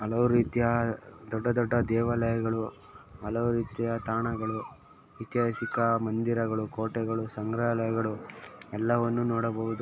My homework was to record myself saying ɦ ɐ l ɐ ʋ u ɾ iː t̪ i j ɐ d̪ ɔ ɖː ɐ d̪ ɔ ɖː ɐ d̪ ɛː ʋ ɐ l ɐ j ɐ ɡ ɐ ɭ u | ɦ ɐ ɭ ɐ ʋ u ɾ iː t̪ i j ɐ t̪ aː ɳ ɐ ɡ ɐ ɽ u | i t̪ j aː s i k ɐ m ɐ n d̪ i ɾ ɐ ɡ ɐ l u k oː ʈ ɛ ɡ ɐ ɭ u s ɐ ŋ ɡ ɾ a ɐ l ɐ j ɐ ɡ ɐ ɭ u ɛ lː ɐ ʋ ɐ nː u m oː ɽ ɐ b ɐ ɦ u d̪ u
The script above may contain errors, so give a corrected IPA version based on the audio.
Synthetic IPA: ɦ ɐ l ɐ ʋ u ɾ iː t̪ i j ɐ d̪ ɔ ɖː ɐ d̪ ɔ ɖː ɐ d̪ ɛː ʋ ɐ l ɐ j ɐ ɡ ɐ ɭ u | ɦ ɐ l ɐ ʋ u ɾ iː t̪ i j ɐ t̪ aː ɳ ɐ ɡ ɐ ɭ u | i t̪ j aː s i k ɐ m ɐ n d̪ i ɾ ɐ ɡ ɐ ɭ u k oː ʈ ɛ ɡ ɐ ɭ u s ɐ ŋ ɡ ɾ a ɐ l ɐ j ɐ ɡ ɐ ɭ u ɛ lː ɐ ʋ ɐ nː u n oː ɽ ɐ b ɐ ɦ u d̪ u